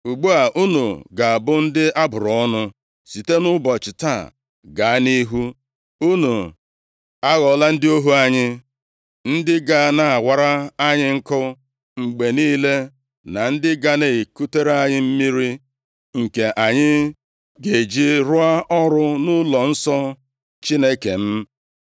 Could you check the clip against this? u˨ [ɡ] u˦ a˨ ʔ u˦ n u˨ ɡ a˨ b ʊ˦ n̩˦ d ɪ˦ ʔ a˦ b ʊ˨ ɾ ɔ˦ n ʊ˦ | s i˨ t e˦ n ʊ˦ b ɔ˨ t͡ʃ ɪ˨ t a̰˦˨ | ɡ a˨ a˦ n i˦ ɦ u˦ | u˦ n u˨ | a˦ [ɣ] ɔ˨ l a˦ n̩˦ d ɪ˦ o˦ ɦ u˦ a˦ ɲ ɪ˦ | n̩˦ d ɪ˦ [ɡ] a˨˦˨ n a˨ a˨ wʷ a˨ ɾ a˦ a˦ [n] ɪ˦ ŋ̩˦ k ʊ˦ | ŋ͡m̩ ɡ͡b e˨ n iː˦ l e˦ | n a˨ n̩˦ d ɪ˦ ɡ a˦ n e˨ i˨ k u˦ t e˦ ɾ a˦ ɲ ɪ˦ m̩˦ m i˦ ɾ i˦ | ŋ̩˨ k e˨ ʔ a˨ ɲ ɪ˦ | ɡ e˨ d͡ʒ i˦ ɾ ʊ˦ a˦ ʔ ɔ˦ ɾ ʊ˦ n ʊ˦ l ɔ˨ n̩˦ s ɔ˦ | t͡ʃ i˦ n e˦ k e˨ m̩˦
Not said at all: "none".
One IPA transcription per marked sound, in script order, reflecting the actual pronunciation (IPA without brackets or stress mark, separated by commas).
ɡ͡b, ɣ, ɡ, ɲ